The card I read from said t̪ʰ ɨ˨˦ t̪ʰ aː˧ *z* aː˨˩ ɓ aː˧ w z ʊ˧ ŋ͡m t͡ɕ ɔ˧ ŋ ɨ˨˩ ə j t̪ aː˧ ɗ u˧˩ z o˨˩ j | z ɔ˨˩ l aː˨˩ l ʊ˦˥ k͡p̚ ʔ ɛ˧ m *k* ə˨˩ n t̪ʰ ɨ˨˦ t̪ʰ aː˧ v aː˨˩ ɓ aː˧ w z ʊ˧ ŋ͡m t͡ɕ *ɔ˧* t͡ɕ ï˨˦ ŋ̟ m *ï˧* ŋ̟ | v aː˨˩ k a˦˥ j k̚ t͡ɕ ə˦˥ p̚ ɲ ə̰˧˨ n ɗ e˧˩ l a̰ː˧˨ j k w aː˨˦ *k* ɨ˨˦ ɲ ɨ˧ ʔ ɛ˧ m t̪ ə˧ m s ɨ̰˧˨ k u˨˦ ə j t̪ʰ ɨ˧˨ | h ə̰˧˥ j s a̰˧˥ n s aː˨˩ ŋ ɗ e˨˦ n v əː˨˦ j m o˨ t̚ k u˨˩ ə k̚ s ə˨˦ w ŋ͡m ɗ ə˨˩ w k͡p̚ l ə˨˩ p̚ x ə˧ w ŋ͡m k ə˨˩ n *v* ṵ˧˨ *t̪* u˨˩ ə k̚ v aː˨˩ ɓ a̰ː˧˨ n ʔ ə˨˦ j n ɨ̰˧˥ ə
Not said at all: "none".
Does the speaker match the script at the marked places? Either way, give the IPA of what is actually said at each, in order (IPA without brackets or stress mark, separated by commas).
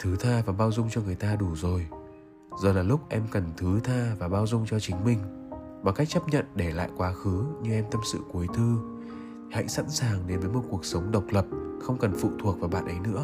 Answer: v, k, ɔ˧, ï˧, x, f, t̪ʰ